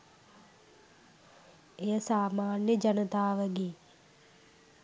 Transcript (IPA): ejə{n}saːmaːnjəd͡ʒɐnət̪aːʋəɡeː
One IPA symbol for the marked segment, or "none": none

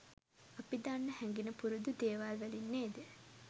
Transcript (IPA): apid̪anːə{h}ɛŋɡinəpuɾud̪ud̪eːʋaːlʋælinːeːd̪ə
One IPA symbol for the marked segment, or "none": h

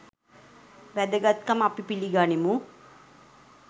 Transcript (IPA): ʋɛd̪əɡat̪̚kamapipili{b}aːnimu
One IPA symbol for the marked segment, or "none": ɡ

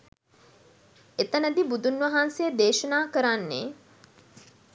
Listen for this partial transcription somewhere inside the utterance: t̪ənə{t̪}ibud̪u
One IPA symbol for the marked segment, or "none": d̪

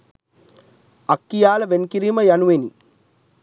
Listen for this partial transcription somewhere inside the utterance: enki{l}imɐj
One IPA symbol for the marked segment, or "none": ɾ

